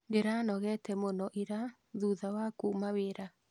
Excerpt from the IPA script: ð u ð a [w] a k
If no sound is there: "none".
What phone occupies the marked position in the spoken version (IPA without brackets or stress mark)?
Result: w